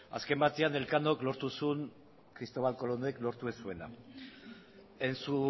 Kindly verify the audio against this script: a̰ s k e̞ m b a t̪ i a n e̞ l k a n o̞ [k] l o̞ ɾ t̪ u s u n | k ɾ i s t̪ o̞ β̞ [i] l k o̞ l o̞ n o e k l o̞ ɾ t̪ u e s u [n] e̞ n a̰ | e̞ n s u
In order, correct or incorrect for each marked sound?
correct, incorrect: a, incorrect: none

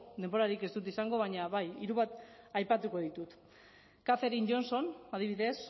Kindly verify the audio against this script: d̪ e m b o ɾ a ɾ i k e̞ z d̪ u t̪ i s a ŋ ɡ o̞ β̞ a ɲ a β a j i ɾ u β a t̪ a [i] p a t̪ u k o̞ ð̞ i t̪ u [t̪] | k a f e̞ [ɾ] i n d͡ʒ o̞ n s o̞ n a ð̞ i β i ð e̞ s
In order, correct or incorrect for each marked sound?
incorrect: j, correct, correct

